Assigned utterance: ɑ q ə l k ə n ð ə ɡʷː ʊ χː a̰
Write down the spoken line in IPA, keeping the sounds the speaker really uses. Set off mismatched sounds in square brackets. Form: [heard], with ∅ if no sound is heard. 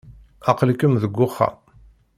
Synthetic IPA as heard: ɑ q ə l k ə [m] ð ə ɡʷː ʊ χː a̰

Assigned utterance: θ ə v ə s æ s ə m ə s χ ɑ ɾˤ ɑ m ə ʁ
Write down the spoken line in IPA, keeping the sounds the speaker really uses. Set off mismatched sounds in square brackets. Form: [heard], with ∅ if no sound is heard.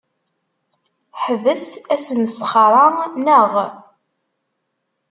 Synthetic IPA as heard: [ħ] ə v ə s æ s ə [n] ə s χ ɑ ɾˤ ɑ [n] ə ʁ

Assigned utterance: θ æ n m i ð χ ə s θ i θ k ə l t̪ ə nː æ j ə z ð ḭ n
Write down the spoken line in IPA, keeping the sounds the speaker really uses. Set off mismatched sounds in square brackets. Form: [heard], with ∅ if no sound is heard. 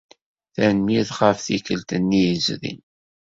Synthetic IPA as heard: θ æ n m i ð χ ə [f] θ i [∅] k ə l t̪ ə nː [i] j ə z ð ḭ n

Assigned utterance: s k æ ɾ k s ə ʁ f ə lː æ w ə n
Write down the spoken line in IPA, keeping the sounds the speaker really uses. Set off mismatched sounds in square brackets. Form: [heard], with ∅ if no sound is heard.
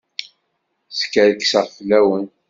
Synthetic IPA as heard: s k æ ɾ k s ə ʁ f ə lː æ w ə n

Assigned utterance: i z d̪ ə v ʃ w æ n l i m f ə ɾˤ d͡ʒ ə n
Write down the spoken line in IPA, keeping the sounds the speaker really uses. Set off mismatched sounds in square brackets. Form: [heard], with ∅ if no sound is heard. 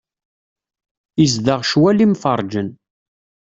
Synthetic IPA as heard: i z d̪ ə [ʁ] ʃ w æ [∅] l i m f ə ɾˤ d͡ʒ ə n

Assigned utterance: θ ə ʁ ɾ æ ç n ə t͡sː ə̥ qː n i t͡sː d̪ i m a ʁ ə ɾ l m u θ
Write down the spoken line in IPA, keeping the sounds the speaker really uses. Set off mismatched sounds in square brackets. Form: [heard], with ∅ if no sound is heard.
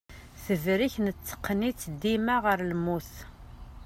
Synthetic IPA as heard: θ ə [v] ɾ [i] ç n ə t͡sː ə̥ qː n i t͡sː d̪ i m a ʁ ə ɾ l m u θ

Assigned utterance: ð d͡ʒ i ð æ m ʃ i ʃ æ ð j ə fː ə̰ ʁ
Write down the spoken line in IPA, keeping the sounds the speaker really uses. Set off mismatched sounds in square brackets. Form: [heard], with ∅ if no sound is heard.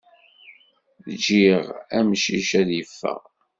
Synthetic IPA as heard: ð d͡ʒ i [ʁ] æ m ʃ i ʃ æ ð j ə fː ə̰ ʁ

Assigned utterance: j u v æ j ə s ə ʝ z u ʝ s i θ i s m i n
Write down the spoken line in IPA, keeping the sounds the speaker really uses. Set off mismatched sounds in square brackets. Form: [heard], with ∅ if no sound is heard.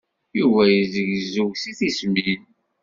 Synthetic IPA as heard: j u v æ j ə [z] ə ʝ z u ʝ s i θ i s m i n

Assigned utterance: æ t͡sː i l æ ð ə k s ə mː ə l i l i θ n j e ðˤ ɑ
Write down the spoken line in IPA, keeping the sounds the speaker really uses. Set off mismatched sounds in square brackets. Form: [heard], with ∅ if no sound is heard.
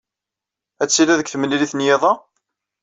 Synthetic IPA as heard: æ t͡sː i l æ ð ə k [θ] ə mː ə l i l i θ n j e ðˤ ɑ

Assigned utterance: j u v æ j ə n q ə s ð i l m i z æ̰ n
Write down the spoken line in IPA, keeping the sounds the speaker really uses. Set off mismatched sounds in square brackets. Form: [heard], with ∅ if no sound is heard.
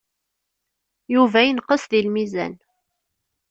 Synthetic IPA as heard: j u v æ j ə n q ə s ð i l m i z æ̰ n

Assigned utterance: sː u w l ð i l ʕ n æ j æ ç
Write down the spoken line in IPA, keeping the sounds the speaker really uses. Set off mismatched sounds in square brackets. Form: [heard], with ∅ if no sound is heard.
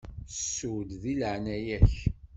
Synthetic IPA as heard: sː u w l ð i l ʕ n æ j æ ç

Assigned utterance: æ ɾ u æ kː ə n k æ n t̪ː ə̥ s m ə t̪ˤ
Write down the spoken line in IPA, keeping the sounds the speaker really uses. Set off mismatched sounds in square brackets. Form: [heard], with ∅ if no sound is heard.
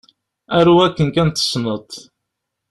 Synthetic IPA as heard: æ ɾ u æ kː ə n k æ n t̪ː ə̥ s [n] ə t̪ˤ

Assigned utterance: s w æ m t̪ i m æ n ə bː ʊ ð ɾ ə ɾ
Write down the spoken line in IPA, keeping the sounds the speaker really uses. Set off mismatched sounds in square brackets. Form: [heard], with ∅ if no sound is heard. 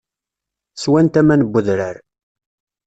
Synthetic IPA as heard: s w æ [n] t̪ [æ] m æ n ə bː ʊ ð ɾ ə ɾ

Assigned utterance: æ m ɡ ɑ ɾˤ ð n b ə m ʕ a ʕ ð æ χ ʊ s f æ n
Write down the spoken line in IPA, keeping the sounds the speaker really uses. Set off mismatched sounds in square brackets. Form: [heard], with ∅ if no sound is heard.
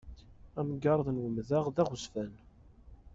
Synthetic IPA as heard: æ m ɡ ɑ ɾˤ ð n [w] ə m [ð] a [ʁ] ð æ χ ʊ s f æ n

